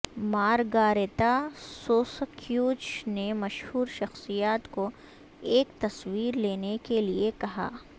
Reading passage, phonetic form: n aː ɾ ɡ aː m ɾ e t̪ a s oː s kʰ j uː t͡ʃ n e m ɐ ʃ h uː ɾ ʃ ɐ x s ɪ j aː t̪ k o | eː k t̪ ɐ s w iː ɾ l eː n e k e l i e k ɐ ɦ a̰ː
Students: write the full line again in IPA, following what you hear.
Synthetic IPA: m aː ɾ ɡ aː ɾ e t̪ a s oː s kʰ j uː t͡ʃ n e m ɐ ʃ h uː ɾ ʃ ɐ x s i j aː t̪ k o | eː k t̪ ɐ s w iː ɾ l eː n e k e l i e k ɐ ɦ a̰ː